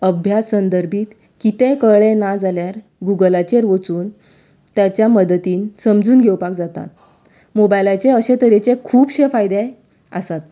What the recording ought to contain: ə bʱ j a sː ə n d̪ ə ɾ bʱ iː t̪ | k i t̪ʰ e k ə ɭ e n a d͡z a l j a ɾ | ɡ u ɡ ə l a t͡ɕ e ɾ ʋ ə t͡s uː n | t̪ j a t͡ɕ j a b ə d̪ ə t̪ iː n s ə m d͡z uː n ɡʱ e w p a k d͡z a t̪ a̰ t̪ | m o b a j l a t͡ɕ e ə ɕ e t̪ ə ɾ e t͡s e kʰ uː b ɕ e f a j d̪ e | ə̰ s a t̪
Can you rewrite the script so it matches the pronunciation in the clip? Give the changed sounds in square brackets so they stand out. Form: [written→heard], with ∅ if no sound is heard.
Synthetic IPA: ə bʱ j a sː ə n d̪ ə ɾ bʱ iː t̪ | k i [t̪ʰ→t̪] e k ə ɭ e n a d͡z a l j a ɾ | ɡ u ɡ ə l a t͡ɕ e ɾ ʋ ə t͡s uː n | t̪ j a t͡ɕ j a [b→m] ə d̪ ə t̪ iː n s ə m d͡z uː n ɡʱ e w p a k d͡z a t̪ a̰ t̪ | m o b a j l a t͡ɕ e ə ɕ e t̪ ə ɾ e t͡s e kʰ uː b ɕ e f a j d̪ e | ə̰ s a t̪